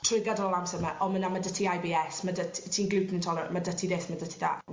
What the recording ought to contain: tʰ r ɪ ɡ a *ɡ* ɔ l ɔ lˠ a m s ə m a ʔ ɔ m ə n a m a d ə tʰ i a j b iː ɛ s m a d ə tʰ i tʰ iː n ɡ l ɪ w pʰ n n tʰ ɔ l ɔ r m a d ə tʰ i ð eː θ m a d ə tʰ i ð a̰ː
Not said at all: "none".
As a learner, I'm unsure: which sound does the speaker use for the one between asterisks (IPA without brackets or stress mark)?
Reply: d